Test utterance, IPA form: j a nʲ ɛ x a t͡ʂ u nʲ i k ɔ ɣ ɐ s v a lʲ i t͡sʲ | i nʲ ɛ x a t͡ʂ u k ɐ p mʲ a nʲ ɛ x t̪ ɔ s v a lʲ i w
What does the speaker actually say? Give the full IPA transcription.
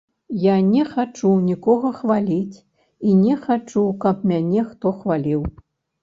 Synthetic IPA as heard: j a nʲ ɛ x a t͡ʂ u nʲ i k ɔ ɣ ɐ x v a lʲ i t͡sʲ | i nʲ ɛ x a t͡ʂ u k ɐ p mʲ a nʲ ɛ x t̪ ɔ x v a lʲ i w